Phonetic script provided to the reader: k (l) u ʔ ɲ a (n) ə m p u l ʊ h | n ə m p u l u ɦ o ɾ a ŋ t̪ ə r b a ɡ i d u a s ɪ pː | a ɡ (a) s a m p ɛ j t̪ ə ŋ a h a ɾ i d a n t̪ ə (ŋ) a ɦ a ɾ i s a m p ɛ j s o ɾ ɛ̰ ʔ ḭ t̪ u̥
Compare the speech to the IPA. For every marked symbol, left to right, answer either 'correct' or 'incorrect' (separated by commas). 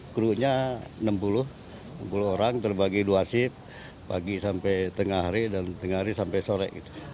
incorrect, correct, incorrect, correct